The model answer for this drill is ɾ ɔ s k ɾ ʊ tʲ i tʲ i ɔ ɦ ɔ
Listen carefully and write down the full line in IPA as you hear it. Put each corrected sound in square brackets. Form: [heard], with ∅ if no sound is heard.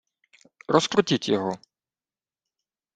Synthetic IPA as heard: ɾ ɔ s k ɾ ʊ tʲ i tʲ [j] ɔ ɦ ɔ